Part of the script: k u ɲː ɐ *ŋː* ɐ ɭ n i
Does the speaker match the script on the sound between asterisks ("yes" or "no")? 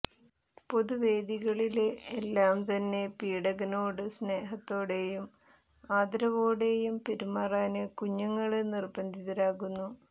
yes